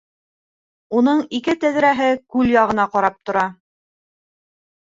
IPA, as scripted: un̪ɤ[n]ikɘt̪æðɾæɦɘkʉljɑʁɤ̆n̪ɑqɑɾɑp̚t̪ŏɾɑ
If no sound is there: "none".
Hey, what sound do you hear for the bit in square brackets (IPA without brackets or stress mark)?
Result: ɴ